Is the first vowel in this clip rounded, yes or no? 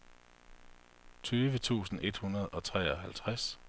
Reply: yes